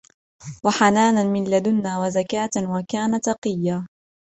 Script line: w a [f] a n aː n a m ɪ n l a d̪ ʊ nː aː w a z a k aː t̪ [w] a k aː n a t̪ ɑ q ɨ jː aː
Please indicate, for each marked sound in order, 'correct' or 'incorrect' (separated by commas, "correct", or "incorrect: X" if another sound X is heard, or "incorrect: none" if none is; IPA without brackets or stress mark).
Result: incorrect: ħ, correct